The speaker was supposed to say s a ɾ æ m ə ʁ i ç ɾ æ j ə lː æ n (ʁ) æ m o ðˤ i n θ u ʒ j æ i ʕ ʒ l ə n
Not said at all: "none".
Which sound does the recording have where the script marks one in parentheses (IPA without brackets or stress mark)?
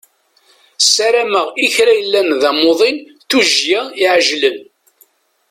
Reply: ð